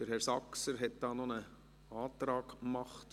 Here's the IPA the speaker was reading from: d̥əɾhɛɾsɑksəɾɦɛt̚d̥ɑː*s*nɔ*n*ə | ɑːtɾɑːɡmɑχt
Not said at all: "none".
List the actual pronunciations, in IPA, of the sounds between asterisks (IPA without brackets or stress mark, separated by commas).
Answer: none, n